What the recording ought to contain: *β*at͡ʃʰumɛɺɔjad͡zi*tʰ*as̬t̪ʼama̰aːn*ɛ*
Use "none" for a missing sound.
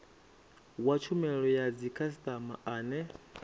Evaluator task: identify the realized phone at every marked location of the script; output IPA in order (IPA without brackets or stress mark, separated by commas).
w, kʰ, ɛ